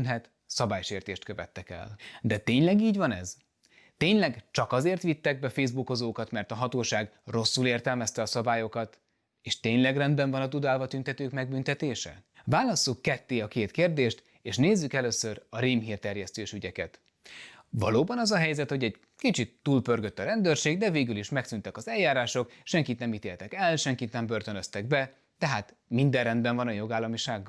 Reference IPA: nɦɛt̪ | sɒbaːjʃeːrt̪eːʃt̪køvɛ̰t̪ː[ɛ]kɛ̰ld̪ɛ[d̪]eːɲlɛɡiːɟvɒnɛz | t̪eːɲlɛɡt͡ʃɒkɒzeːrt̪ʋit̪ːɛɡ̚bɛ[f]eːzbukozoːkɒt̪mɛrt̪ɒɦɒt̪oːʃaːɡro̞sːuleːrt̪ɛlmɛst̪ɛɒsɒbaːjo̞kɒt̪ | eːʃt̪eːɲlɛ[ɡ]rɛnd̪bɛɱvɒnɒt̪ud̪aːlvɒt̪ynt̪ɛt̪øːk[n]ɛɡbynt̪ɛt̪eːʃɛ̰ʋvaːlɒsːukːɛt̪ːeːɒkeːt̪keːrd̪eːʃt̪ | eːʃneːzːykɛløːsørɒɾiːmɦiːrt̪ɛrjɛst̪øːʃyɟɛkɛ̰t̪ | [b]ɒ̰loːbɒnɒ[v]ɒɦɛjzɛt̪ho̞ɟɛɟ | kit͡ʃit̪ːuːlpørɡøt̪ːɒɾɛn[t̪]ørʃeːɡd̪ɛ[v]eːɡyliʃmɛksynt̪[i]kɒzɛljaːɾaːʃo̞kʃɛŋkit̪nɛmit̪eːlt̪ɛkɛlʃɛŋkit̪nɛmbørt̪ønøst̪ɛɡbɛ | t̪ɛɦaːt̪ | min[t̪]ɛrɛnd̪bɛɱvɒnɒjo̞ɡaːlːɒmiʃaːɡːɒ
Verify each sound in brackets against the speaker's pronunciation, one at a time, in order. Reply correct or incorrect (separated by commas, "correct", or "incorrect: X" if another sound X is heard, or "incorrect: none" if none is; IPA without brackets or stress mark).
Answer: correct, incorrect: t̪, correct, correct, incorrect: m, incorrect: v, incorrect: z, incorrect: d̪, correct, incorrect: ɛ, incorrect: d̪